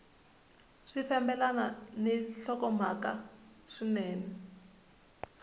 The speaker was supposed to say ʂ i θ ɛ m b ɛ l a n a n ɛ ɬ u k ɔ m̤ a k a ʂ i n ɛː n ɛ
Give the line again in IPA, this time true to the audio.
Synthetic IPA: ʂ i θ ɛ m b ɛ l a n a n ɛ ɬ ɔ k ɔ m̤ a k a ʂ i n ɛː n ɛ